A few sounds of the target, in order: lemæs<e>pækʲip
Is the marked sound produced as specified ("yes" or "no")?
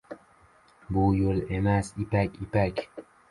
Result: no